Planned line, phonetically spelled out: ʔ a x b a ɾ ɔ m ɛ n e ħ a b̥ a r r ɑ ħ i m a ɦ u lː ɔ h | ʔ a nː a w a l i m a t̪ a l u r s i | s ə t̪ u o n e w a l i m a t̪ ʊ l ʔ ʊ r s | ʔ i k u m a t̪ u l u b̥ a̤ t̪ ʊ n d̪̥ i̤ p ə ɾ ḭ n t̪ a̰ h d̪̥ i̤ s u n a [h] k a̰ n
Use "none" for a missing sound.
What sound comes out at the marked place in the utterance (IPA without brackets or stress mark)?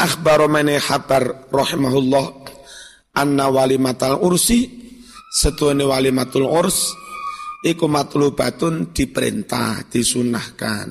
h